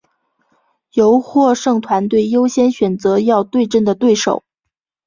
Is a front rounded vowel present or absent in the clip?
absent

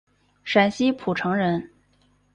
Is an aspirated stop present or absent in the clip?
present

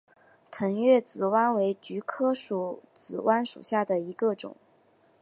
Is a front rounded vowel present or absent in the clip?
present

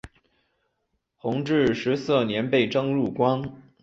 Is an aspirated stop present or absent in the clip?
absent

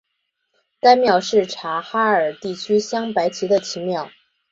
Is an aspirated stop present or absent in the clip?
present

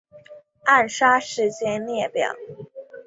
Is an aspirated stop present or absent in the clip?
absent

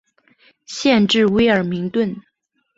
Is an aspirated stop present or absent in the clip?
absent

